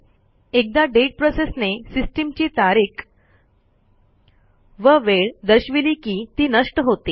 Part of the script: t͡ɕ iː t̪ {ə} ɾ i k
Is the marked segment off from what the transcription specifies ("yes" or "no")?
yes